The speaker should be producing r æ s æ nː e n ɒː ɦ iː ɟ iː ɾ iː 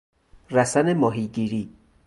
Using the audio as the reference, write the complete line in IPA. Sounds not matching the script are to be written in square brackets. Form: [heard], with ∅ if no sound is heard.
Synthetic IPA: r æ s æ [n] e [m] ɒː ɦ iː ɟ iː ɾ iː